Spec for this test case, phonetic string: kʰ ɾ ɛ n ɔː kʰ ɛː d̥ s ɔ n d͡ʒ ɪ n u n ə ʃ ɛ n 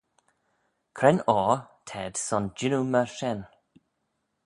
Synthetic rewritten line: kʰ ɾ ɛ n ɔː tʰ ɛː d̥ s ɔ n d͡ʒ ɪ n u m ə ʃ ɛ n